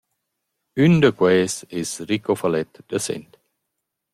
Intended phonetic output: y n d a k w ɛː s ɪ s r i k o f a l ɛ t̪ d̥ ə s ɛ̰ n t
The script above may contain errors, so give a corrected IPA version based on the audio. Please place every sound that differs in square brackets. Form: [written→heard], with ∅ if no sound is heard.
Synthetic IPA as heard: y n d [a→ə] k w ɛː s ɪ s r i k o f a l ɛ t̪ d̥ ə s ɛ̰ n t